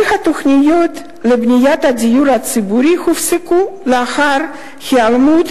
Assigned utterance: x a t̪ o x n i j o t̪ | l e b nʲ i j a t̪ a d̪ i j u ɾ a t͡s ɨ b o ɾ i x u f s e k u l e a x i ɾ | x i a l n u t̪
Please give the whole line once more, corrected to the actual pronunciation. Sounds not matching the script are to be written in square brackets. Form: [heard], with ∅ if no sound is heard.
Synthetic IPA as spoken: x a t̪ o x n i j o t̪ | l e b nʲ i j a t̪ a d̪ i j u ɾ a t͡s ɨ b [u] ɾ i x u f s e k u l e a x [a] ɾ | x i a l [m] u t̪